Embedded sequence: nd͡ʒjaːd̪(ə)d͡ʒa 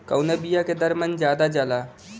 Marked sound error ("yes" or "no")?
yes